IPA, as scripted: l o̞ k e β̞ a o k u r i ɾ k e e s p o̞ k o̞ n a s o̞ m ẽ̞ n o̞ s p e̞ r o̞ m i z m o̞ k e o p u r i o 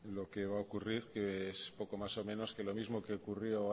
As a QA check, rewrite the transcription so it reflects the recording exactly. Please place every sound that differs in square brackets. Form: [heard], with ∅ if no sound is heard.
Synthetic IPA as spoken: l o̞ k e β̞ a o k u r i ɾ k e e s p o̞ k o̞ [m] a s o̞ m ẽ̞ n o̞ s [k] e̞ [l] o̞ m i z m o̞ k e o [k] u r [j] o